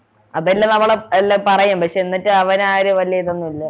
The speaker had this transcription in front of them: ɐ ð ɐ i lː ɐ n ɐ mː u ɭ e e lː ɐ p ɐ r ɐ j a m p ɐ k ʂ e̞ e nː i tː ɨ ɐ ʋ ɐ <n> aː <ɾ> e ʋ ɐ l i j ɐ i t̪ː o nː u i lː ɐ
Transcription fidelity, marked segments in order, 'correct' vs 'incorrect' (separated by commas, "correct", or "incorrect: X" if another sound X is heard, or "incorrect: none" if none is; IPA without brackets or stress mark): correct, correct